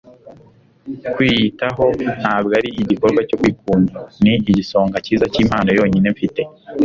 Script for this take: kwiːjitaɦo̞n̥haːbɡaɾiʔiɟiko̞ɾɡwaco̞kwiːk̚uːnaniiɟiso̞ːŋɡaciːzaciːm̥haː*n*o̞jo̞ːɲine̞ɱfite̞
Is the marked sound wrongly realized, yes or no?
no